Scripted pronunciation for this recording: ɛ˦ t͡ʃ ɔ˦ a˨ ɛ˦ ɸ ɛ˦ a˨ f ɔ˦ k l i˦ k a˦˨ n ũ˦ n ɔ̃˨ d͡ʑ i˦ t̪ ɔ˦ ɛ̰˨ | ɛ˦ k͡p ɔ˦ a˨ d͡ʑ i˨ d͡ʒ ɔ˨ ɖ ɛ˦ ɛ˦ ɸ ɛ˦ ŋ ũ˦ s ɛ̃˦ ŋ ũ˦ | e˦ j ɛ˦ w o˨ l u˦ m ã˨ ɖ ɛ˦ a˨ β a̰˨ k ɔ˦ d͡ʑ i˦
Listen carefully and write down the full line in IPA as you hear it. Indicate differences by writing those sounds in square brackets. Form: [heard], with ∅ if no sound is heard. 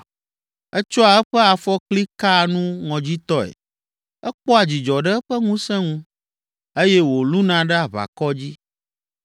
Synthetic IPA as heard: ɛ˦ t͡ʃ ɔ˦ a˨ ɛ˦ ɸ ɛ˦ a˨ f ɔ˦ k l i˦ k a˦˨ n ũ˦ [ŋ] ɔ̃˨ d͡ʑ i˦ t̪ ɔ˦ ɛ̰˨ | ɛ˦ k͡p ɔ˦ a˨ d͡ʑ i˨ d͡ʒ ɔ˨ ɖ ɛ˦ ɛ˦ ɸ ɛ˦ ŋ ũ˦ s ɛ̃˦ ŋ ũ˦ | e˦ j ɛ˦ w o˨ l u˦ [n] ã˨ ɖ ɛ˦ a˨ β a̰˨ k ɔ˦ d͡ʑ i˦